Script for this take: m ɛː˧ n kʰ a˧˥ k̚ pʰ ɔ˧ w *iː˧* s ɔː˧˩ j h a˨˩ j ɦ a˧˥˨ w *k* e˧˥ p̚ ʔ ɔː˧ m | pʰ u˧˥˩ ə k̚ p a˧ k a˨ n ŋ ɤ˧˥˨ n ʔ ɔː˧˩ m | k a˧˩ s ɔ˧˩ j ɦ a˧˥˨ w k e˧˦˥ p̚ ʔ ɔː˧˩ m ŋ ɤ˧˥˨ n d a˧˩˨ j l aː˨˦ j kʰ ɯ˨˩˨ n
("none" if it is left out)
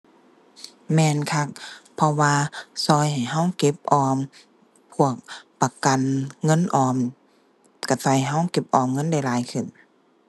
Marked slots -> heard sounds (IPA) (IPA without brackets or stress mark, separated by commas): aː˧, k